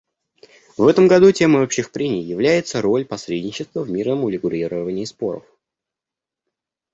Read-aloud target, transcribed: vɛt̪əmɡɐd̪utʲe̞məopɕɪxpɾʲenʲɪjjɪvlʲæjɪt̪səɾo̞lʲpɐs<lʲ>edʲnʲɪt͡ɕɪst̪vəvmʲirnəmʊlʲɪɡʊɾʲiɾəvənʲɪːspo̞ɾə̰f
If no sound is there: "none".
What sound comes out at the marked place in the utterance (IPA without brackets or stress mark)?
ɾʲ